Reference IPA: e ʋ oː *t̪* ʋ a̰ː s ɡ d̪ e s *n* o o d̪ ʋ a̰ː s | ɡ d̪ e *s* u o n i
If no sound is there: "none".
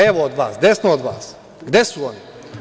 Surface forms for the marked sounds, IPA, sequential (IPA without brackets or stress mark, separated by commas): d̪, n, s